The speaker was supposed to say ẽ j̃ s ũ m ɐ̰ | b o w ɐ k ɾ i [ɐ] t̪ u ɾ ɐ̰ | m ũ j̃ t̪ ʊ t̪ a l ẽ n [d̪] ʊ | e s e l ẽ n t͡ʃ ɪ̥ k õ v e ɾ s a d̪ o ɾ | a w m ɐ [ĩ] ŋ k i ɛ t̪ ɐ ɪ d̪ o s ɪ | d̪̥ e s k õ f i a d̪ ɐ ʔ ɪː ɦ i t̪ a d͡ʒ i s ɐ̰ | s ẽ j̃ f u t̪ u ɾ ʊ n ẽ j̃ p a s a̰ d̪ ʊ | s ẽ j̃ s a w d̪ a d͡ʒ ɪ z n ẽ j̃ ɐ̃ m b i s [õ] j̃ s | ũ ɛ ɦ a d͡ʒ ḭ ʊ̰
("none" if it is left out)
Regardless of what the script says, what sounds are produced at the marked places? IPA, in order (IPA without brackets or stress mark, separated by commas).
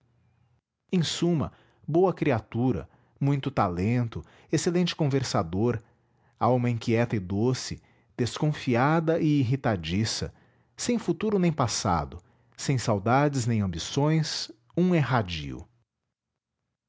a, t̪, ĩ, õ